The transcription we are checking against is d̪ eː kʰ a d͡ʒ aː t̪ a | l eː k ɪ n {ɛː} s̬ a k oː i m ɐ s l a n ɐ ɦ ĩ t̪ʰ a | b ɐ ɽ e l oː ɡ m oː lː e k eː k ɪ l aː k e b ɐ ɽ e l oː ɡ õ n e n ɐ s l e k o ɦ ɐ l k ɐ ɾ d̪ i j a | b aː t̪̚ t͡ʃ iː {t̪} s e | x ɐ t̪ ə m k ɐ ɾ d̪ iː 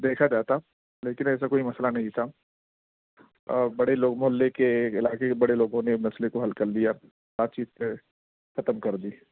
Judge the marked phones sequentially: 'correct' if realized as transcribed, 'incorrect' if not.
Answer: correct, correct

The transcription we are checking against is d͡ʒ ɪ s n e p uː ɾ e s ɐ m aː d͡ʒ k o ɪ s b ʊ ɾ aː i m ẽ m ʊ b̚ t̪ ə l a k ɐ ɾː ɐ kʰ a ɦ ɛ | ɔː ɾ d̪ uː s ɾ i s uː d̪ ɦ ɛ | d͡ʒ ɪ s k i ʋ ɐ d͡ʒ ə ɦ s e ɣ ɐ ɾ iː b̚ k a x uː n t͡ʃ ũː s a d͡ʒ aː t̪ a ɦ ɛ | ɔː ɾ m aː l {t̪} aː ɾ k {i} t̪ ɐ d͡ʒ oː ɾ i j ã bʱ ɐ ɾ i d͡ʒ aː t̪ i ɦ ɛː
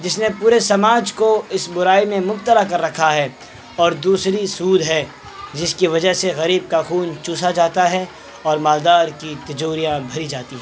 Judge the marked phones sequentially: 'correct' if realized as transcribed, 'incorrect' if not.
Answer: incorrect: d̪, correct

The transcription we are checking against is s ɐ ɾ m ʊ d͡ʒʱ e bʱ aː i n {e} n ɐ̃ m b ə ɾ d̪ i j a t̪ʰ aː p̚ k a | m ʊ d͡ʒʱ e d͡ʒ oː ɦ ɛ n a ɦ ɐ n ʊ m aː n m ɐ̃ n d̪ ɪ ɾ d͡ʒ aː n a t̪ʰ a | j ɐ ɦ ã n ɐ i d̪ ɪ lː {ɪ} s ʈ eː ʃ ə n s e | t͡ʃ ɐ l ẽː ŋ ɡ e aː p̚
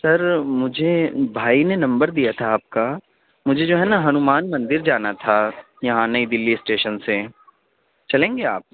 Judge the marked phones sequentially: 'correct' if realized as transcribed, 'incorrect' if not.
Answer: correct, incorrect: i

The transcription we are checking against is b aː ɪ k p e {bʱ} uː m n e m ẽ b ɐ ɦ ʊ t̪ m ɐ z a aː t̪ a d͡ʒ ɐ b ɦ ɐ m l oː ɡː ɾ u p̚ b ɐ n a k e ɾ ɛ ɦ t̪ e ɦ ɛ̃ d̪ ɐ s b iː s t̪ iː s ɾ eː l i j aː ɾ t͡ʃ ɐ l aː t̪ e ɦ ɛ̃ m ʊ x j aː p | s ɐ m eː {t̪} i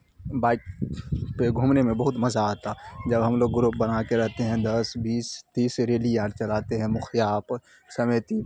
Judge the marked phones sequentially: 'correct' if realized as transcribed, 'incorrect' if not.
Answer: incorrect: ɡʱ, correct

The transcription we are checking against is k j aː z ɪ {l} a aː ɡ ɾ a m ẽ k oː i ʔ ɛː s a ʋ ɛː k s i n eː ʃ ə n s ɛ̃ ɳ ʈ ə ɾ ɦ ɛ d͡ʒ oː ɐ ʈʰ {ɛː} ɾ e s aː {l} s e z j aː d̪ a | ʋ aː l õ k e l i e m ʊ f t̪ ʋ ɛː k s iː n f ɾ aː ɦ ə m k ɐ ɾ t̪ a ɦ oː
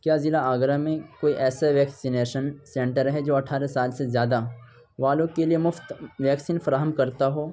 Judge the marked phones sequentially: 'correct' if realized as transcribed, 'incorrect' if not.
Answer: correct, incorrect: aː, correct

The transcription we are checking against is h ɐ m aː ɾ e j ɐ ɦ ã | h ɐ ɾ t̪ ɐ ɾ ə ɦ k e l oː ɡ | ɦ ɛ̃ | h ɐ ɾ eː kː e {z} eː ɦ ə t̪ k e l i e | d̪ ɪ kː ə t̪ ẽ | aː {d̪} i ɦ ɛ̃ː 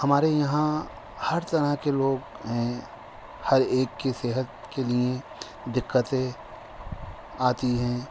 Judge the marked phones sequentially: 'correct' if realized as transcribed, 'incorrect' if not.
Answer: incorrect: s, incorrect: t̪

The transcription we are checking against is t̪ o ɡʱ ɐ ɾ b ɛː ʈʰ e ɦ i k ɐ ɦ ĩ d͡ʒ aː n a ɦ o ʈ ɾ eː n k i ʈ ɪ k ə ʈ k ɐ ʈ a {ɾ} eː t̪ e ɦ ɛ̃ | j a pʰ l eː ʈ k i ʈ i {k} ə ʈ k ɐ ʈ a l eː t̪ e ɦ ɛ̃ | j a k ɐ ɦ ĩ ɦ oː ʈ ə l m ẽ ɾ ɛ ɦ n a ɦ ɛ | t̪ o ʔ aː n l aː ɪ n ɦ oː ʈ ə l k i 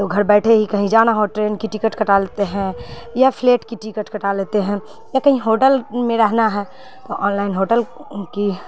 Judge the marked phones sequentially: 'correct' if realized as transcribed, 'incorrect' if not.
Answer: incorrect: l, correct

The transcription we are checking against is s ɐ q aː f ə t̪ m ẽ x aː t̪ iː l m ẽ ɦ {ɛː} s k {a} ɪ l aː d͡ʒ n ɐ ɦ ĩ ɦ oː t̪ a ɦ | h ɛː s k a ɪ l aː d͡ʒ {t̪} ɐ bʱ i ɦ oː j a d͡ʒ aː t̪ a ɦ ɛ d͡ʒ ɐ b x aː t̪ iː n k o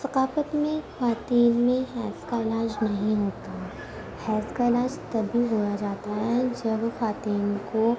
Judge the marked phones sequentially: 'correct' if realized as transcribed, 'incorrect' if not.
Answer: correct, correct, correct

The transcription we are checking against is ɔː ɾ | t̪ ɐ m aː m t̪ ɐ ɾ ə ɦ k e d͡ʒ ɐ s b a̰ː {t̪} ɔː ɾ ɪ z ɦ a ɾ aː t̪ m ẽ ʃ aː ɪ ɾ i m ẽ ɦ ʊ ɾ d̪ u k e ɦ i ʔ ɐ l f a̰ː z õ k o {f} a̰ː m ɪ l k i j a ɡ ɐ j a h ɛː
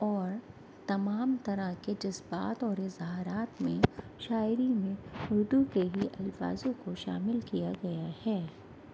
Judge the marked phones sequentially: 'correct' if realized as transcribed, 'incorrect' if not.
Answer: correct, incorrect: ʃ

